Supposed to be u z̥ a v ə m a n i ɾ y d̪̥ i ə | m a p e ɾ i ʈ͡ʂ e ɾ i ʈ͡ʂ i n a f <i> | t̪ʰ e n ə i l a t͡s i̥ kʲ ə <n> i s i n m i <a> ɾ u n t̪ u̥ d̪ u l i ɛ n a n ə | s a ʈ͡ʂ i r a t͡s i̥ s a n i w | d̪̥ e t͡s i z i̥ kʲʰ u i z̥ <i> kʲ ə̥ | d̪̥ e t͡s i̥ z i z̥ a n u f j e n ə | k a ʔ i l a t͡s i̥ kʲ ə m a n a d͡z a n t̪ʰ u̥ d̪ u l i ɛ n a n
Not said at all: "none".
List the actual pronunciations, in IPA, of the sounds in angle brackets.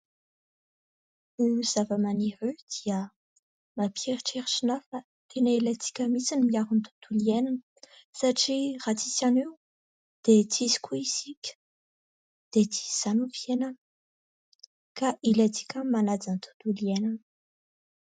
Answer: a, m, a, i

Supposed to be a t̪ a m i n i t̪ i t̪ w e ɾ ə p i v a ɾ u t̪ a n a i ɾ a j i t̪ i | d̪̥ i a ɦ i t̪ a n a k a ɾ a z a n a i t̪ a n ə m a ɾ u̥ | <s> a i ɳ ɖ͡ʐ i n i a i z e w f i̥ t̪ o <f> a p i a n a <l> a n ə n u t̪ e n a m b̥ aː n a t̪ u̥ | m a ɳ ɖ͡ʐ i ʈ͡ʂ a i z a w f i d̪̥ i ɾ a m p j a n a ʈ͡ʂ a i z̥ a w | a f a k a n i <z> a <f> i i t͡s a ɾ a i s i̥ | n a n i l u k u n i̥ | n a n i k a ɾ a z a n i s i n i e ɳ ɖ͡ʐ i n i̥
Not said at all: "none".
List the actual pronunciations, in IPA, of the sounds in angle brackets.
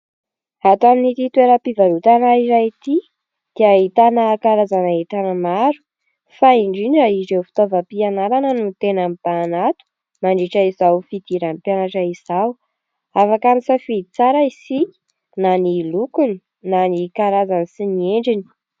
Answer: f, v, ɾ, s, f

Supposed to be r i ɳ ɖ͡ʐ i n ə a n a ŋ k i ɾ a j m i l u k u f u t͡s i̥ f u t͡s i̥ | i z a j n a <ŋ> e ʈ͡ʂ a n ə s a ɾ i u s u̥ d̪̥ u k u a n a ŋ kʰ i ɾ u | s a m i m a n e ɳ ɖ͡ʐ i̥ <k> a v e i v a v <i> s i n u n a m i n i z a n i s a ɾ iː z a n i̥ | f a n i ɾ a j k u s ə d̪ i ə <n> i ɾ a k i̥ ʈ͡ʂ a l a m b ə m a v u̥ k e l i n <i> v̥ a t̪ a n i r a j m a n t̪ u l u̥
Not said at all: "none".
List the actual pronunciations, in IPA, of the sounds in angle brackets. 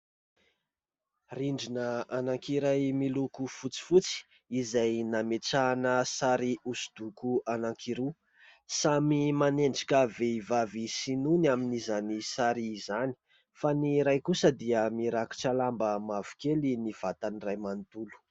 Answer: m, k, i, m, i

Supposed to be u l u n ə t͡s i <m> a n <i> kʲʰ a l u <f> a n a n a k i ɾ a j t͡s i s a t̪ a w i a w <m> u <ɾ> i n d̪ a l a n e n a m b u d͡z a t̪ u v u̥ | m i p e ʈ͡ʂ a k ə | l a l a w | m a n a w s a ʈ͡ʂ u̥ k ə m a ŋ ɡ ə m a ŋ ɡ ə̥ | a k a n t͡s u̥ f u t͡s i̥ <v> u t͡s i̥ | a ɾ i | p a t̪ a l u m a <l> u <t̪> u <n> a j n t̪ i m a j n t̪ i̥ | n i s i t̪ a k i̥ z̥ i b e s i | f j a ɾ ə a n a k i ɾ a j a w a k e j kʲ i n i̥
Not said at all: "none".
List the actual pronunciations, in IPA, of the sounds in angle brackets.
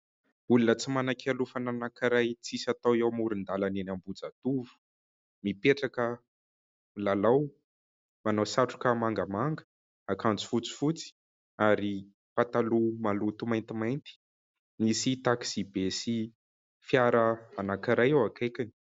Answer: m, a, f, m, ɾ, f, l, t̪, m

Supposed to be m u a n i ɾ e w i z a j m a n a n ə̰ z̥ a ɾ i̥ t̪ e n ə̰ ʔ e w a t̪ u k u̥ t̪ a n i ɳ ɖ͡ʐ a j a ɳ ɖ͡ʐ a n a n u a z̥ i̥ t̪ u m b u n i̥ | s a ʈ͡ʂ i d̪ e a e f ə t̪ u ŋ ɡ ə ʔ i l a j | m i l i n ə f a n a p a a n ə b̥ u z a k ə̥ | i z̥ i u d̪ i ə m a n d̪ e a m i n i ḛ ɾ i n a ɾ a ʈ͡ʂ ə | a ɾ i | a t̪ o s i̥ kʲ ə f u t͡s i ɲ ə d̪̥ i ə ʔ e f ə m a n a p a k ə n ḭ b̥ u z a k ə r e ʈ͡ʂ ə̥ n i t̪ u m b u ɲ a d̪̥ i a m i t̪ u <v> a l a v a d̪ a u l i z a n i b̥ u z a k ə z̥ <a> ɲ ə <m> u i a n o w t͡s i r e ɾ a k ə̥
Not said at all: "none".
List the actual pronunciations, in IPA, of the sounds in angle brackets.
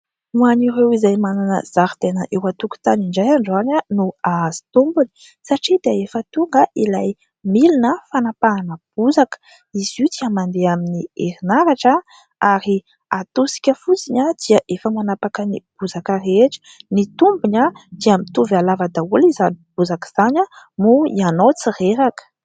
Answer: v, a, m

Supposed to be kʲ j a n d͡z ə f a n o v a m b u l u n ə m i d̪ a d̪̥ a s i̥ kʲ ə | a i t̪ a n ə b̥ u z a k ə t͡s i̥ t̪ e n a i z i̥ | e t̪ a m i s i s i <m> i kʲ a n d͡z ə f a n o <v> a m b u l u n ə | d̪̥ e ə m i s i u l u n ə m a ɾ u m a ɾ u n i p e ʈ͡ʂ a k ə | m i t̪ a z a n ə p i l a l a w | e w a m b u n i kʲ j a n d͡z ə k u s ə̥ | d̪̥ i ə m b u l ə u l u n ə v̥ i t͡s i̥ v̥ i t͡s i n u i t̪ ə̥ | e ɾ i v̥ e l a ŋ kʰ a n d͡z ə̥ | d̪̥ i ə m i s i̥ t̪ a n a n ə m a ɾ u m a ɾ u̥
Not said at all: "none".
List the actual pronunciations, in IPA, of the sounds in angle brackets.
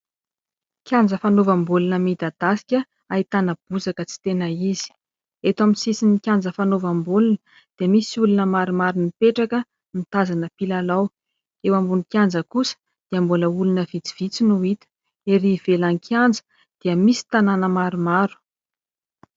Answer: n, v

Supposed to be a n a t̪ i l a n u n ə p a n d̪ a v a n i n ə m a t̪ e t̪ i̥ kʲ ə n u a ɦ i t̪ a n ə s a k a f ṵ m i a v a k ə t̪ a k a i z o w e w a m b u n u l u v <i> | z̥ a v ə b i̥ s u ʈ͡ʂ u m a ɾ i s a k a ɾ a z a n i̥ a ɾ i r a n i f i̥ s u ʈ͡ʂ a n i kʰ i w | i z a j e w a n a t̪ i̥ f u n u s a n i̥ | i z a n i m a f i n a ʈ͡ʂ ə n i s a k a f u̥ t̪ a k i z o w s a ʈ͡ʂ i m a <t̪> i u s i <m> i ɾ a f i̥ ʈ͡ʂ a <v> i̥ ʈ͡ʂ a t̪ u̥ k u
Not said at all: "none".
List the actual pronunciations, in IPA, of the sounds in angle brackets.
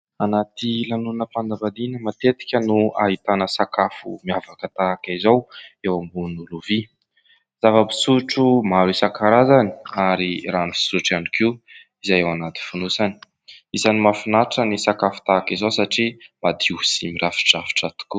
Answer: i, d̪, m, f

